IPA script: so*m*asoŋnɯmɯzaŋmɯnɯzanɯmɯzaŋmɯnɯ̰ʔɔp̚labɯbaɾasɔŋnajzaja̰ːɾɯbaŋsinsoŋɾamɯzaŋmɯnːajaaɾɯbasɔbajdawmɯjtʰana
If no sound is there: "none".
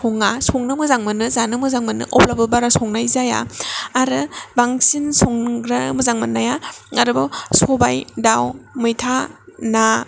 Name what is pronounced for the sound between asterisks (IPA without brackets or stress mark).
ŋ